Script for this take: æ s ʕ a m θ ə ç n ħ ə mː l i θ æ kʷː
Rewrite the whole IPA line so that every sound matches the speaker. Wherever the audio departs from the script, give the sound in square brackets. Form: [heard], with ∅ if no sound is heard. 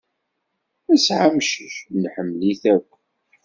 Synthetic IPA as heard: æ s ʕ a m [ʃ] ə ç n ħ ə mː l i θ æ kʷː